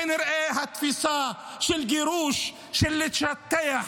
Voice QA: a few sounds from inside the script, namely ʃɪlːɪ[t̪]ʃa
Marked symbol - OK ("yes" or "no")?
yes